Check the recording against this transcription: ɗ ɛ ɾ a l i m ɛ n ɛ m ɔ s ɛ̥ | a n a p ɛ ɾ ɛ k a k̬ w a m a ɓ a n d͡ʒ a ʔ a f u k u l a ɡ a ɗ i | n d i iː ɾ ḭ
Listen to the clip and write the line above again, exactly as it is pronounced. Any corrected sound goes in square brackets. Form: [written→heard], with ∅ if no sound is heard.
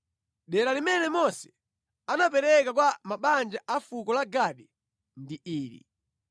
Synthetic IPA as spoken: ɗ ɛ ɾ a l i m ɛ n ɛ m ɔ s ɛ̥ | a n a p ɛ ɾ ɛ k a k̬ w a m a ɓ a n d͡ʒ a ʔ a f u k [u→ɔ] l a ɡ a ɗ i | n d i iː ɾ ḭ